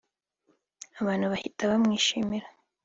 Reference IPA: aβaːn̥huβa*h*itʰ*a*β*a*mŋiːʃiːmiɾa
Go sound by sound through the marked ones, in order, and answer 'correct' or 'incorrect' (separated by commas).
correct, correct, correct